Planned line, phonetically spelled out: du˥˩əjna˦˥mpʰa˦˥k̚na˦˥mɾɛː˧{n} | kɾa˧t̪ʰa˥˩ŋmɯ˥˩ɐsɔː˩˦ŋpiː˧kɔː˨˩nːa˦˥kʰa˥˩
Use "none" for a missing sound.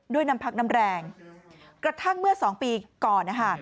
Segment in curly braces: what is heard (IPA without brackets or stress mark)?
ŋ